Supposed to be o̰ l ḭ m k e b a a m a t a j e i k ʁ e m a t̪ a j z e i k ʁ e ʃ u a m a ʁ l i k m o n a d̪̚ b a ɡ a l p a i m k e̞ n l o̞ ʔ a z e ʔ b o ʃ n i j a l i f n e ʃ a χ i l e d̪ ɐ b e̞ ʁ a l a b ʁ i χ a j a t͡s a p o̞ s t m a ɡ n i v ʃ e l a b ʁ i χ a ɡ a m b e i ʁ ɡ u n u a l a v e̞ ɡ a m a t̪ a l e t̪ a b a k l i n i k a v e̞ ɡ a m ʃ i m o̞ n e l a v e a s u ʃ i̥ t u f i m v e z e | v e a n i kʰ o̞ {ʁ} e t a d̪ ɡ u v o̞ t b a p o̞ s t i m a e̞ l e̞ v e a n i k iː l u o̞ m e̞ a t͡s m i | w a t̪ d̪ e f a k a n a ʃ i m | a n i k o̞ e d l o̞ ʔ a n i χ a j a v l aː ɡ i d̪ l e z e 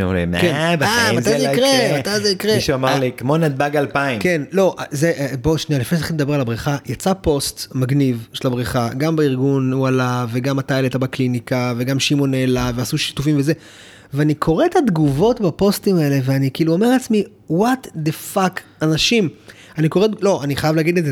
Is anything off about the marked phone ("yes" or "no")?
no